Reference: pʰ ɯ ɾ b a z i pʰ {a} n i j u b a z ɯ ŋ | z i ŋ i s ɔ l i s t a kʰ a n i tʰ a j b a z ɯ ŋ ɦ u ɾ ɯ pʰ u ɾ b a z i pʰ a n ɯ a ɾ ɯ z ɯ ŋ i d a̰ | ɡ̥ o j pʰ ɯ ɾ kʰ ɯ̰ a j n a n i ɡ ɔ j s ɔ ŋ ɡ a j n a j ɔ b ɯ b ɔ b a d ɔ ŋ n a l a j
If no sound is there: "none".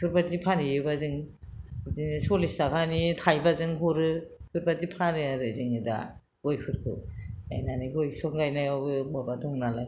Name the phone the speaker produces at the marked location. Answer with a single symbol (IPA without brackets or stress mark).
a